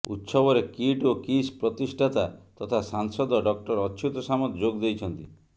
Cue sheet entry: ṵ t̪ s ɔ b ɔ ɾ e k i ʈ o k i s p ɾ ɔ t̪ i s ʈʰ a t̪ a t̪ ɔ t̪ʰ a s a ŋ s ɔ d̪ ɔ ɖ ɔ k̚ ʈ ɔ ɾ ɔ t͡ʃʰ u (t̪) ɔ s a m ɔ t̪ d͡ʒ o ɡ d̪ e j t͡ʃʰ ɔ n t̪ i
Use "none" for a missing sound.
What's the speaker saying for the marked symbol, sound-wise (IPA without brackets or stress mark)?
t̪